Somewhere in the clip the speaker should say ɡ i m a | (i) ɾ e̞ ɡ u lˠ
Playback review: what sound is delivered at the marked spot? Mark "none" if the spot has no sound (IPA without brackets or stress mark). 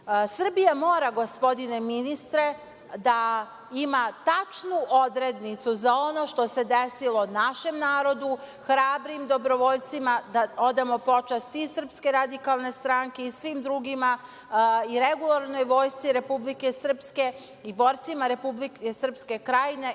i